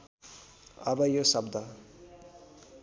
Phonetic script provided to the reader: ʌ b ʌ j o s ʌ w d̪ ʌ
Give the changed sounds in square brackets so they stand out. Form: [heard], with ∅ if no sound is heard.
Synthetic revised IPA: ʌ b ʌ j o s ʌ [b] d̪ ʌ